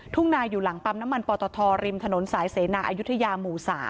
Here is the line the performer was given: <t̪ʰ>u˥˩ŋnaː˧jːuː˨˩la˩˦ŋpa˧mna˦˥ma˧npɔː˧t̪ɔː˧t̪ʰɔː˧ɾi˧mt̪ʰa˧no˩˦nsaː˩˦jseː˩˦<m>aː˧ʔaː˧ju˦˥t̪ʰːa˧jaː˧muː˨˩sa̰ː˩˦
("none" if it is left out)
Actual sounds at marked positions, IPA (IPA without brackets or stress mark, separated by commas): t̪ʰ, n